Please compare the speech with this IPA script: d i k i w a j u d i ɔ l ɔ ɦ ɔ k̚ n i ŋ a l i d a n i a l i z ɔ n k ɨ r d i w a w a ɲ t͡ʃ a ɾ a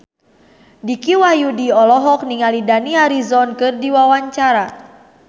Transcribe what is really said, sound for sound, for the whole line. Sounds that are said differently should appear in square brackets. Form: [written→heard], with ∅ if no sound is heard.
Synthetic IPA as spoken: d i k i w a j u d i ɔ l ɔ ɦ ɔ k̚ n i ŋ a l i d a n i a [l→ɾ] i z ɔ n k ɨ r d i w a w a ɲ t͡ʃ a ɾ a